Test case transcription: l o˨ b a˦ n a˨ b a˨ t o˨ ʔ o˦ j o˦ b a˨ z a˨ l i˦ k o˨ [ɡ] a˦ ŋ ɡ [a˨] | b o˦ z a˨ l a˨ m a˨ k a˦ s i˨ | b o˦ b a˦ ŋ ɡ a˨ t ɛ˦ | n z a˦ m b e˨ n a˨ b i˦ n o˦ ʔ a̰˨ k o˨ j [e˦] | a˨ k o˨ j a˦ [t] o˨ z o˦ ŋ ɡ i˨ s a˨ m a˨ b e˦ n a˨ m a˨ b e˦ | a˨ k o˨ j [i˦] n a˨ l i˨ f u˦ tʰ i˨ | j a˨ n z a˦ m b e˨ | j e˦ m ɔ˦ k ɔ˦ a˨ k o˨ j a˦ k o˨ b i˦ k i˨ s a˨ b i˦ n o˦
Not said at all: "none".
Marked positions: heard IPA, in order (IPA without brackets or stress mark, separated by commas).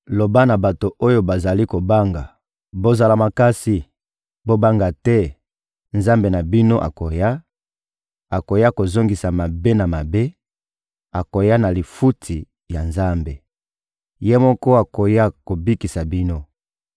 b, a˨, a˦, k, a˦